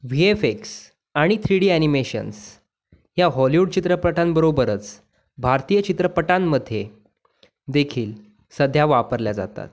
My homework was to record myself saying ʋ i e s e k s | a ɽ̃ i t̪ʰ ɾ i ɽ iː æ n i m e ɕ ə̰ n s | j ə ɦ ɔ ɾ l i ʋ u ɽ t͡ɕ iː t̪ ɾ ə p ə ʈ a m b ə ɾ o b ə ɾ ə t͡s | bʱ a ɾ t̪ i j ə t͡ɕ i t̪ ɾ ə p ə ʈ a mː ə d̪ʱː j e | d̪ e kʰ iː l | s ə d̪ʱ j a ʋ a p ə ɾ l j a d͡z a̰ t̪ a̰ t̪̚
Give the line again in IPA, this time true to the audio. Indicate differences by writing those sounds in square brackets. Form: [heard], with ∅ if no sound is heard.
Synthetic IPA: ʋ i e [f] e k s | a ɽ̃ i t̪ʰ ɾ i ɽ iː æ n i m e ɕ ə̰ n s | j [a] ɦ ɔ [∅] l i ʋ u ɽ t͡ɕ [i] t̪ ɾ ə p ə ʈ a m b ə ɾ o b ə ɾ ə t͡s | bʱ a ɾ t̪ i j ə t͡ɕ i t̪ ɾ ə p ə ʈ a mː ə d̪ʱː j e | d̪ e kʰ iː l | s ə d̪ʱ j a ʋ a p ə ɾ l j a d͡z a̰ t̪ a̰ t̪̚